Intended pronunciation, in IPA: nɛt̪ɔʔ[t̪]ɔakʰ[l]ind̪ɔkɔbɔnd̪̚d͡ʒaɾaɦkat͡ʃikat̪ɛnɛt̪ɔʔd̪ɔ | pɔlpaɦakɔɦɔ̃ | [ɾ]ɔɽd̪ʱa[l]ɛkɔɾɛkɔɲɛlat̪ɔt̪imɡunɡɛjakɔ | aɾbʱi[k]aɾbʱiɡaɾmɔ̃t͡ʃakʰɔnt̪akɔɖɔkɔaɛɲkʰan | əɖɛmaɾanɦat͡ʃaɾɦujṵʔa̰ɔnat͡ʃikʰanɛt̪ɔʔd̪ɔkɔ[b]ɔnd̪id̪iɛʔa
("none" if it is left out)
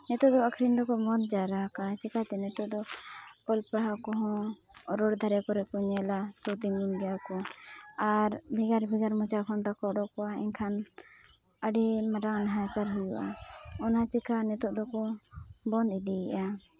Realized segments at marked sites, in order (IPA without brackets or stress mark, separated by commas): d̪, ɾ, ɾ, ɾ, ɡ, b